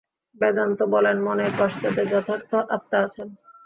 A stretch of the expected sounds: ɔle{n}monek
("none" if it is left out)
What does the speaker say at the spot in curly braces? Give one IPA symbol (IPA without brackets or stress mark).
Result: n